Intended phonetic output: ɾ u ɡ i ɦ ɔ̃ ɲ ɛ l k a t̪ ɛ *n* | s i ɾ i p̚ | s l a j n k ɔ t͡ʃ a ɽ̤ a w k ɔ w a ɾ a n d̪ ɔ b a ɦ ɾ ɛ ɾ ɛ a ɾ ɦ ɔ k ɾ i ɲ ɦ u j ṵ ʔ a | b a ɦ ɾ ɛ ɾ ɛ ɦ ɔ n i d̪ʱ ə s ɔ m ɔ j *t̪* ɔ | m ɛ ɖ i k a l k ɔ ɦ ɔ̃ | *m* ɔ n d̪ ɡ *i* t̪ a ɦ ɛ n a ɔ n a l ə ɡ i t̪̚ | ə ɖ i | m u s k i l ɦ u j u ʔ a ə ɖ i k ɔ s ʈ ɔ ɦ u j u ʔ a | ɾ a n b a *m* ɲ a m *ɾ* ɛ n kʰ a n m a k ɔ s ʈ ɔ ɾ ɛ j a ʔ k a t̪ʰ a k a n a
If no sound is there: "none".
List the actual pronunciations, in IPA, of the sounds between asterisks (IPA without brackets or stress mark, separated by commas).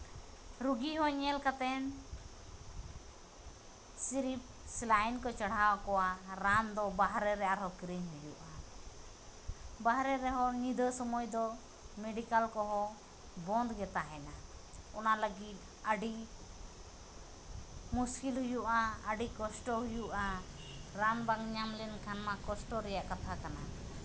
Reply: n, d̪, b, ɛ, ŋ, l